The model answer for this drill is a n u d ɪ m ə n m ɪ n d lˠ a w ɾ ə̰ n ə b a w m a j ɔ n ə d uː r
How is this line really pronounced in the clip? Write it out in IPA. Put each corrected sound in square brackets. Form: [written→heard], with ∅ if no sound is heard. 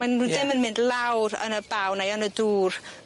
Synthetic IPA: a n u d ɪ m ə n m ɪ n d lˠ a w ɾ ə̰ n ə b a w [m→n] a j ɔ n ə d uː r